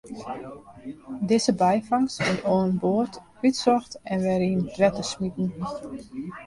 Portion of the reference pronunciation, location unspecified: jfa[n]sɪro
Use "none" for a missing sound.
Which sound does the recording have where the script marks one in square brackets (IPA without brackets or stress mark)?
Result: ŋ